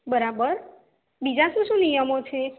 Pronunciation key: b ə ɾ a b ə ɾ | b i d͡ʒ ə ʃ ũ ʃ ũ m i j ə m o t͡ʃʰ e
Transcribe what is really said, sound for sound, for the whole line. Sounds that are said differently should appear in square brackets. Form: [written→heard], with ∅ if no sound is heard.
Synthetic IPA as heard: b ə ɾ a b ə ɾ | b i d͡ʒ [ə→a] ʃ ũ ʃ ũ [m→n] i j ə m o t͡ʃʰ e